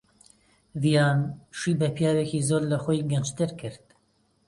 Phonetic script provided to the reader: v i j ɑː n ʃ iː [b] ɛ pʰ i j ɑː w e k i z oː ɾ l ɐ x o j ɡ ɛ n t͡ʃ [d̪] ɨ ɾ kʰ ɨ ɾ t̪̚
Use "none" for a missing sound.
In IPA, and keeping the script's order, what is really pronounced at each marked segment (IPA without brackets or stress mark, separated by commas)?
b, t̪